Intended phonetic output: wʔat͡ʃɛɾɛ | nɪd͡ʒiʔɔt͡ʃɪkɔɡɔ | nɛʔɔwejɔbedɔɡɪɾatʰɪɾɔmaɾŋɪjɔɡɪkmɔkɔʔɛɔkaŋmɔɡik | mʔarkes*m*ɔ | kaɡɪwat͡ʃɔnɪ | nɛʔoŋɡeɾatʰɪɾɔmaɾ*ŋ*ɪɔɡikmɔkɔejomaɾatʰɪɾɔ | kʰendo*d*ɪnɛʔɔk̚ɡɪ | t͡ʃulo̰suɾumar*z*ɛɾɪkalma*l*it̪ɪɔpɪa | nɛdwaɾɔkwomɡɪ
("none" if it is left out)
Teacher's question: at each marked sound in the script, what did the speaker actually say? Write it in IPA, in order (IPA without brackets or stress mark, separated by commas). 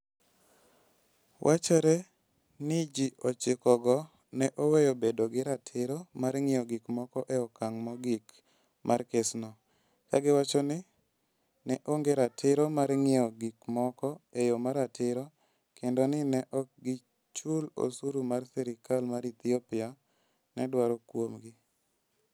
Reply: n, ŋ, n, s, ɾ